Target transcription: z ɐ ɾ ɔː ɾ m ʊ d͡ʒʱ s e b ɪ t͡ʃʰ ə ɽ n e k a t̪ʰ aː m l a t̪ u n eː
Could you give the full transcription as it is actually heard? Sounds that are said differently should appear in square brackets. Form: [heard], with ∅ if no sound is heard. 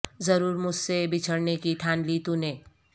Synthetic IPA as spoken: z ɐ ɾ [uː] ɾ m ʊ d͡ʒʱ s e b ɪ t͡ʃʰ ə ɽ n e k [i] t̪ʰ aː [n] l [i] t̪ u n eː